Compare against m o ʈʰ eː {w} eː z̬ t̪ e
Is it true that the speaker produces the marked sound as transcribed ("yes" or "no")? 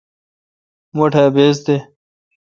no